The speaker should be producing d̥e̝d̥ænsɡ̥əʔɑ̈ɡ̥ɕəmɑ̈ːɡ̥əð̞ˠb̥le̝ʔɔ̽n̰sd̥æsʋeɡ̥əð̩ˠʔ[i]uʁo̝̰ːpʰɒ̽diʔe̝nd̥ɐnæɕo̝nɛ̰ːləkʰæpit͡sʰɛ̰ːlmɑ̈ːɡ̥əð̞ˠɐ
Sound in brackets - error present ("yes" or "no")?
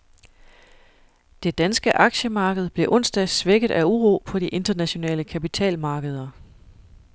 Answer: yes